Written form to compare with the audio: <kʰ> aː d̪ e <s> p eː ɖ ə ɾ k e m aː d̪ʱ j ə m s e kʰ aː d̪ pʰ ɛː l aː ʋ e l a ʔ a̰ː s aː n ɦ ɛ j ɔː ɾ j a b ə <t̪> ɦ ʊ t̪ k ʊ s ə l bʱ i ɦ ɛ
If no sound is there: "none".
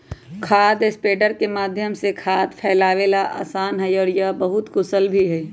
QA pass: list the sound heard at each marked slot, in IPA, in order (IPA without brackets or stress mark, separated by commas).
kʰ, s, none